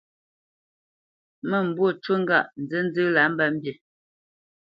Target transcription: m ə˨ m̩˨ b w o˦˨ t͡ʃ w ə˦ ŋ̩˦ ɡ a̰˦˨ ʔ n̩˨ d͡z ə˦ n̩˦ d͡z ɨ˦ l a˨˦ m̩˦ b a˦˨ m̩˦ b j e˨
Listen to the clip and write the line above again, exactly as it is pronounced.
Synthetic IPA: m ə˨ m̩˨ b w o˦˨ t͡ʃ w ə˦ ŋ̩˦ ɡ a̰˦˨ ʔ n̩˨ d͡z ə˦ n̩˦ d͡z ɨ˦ l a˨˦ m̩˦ b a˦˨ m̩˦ b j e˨